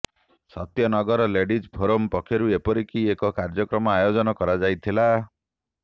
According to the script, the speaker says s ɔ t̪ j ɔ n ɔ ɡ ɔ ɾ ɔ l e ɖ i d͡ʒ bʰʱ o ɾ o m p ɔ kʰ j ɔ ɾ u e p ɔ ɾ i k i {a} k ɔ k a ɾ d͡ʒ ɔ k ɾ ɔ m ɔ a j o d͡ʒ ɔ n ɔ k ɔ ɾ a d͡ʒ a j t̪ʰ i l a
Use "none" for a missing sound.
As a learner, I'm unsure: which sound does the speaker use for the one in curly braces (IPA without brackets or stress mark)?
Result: e